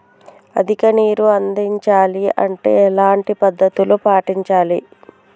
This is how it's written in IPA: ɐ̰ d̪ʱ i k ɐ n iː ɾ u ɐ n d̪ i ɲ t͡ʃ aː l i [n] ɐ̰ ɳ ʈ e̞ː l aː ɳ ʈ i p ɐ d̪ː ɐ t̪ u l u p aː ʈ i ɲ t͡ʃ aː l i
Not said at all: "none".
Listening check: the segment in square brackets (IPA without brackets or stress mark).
none